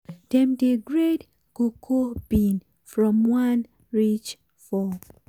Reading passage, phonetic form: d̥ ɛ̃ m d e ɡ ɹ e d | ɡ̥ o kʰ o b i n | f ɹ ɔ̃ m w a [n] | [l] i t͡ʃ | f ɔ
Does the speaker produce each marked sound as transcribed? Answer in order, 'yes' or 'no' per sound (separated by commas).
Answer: yes, no